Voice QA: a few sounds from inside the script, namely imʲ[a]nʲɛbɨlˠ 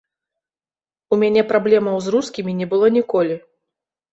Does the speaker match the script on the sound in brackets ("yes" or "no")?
no